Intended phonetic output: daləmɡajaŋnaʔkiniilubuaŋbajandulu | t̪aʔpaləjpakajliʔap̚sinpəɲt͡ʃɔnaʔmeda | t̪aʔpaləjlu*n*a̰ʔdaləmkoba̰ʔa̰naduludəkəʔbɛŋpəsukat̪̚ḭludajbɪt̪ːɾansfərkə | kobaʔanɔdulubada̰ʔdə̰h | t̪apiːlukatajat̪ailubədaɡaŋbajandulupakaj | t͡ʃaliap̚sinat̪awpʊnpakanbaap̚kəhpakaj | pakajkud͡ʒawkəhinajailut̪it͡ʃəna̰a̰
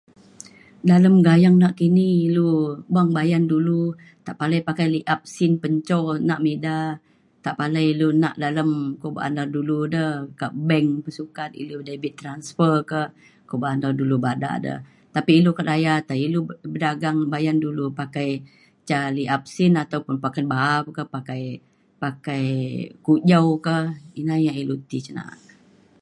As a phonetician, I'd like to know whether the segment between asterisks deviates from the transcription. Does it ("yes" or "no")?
no